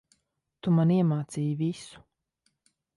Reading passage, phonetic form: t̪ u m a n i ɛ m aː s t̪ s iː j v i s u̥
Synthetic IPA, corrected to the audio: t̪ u m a n i ɛ m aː t̪ s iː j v i s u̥